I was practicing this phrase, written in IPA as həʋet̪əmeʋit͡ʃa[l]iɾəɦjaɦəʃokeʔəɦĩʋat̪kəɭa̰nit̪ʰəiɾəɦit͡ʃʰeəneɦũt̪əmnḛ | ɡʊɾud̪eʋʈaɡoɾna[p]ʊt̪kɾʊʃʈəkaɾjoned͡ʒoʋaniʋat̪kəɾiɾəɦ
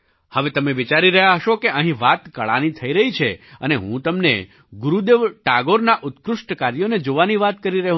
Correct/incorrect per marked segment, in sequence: incorrect: ɾ, incorrect: ʔ

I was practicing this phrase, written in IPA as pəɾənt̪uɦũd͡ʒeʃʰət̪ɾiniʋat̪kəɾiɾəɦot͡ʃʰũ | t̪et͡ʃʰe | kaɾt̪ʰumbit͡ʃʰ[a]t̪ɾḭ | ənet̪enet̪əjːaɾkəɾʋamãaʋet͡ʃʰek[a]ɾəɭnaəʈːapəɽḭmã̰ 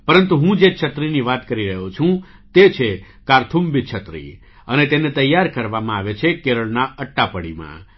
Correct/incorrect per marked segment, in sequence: incorrect: ə, incorrect: e

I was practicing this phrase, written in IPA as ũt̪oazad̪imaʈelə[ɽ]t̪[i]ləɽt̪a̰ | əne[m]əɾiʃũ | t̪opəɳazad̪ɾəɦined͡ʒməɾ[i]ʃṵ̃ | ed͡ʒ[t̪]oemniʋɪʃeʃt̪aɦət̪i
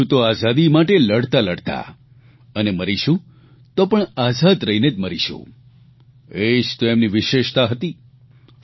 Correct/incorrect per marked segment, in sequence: correct, incorrect: a, correct, correct, correct

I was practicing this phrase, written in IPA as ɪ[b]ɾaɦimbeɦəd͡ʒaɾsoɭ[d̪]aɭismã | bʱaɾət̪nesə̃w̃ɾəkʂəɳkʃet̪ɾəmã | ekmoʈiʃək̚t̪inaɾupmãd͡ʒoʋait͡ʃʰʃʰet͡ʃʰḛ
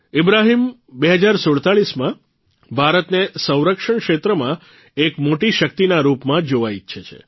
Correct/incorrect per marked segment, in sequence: correct, incorrect: t̪

